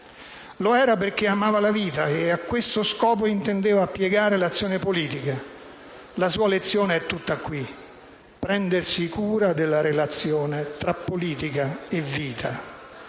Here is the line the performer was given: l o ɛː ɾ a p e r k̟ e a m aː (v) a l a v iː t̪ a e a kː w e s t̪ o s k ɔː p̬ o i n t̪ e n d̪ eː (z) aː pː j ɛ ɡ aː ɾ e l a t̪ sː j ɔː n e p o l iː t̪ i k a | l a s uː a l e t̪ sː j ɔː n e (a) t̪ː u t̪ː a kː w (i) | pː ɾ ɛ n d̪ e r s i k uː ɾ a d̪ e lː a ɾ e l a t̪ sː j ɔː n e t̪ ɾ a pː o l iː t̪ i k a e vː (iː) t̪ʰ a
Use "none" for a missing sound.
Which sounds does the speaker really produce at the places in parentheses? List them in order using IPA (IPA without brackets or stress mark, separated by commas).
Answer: v, v, ɛ, i, iː